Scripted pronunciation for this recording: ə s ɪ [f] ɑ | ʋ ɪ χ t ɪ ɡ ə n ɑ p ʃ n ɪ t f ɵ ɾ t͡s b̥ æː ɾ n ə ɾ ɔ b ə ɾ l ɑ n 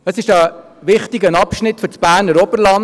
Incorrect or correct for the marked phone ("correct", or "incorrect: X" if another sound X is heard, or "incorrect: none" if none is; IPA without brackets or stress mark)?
incorrect: ʃ